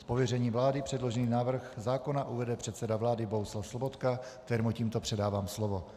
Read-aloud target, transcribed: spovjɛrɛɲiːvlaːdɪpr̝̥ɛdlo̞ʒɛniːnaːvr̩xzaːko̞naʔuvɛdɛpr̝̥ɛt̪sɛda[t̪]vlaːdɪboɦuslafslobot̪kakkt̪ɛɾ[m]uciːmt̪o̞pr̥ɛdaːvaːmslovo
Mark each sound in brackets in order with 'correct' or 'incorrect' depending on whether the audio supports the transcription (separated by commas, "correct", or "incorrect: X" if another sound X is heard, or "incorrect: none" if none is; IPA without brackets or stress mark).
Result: incorrect: none, correct